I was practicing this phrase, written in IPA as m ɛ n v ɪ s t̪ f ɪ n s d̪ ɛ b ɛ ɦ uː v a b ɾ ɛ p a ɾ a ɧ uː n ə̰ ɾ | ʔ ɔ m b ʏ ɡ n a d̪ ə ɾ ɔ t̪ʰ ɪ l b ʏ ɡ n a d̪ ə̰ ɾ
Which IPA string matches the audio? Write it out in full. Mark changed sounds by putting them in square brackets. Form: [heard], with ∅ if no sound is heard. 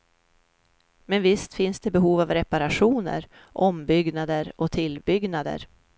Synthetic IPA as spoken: m ɛ n v ɪ s t̪ f ɪ n s d̪ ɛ b ɛ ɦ uː v a [v] ɾ ɛ p a ɾ a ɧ uː n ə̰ ɾ | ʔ ɔ m b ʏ ɡ n a d̪ ə ɾ ɔ t̪ʰ ɪ l b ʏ ɡ n a d̪ ə̰ ɾ